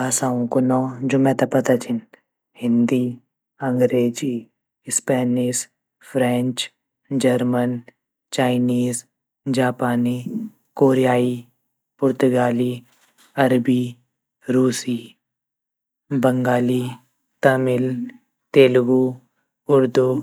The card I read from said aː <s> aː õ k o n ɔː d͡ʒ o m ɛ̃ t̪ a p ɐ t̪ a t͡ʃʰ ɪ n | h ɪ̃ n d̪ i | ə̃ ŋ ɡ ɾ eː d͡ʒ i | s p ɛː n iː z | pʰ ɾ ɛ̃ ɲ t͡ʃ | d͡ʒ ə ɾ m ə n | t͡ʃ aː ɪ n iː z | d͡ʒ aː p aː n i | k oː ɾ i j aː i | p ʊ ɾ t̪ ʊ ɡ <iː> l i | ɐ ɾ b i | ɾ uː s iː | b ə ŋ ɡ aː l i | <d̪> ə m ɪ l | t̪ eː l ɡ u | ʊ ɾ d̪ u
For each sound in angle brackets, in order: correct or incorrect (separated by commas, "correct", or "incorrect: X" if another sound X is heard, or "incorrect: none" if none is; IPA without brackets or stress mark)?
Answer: correct, incorrect: aː, incorrect: t̪